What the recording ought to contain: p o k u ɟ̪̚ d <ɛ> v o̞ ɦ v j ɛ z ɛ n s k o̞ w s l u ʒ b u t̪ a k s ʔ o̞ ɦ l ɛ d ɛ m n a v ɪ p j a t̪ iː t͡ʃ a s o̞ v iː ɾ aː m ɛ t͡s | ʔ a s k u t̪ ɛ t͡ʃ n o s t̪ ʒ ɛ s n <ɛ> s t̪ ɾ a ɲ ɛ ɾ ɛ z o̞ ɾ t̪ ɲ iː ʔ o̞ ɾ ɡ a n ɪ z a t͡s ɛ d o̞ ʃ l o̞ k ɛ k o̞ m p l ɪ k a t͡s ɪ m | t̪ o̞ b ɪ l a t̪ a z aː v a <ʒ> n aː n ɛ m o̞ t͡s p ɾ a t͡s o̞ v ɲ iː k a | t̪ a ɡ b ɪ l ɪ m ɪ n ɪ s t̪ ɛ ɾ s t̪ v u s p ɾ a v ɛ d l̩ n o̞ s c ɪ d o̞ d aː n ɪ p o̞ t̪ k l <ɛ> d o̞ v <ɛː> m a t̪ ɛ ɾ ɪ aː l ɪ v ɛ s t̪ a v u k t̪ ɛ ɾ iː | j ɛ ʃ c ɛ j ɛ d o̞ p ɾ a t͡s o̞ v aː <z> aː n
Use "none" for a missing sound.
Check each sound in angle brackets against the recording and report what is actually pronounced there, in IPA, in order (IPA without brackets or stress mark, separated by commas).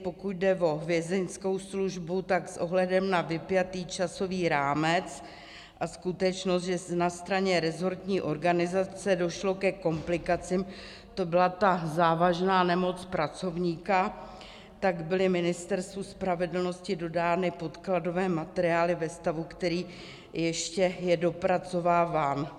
ɛ, a, ʒ, a, ɛː, v